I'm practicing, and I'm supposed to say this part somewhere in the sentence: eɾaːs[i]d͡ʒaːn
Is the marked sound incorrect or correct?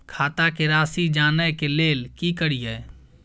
correct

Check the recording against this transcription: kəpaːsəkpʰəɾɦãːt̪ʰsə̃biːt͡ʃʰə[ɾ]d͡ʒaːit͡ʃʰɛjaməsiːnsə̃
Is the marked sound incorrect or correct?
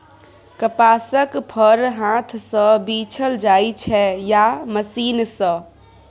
incorrect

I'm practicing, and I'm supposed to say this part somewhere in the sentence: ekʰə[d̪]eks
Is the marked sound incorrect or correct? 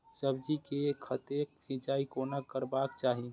incorrect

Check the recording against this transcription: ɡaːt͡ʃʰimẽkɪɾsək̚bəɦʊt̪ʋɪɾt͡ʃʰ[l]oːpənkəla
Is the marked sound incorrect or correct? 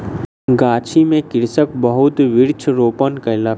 incorrect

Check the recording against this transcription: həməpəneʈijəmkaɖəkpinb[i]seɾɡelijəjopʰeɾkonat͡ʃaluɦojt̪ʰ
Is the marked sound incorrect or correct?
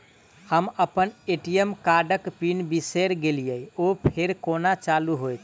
correct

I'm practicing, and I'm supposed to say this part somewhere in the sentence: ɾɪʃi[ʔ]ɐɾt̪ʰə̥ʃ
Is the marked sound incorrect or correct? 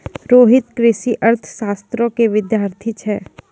correct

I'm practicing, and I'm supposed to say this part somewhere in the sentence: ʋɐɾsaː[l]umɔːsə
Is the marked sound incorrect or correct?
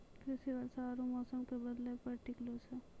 incorrect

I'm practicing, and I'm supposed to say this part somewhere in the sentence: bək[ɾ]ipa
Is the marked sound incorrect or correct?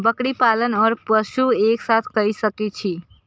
incorrect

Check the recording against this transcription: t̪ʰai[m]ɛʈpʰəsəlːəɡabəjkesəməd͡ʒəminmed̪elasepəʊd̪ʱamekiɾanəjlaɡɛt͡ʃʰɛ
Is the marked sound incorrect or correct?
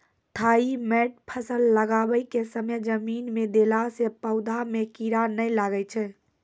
correct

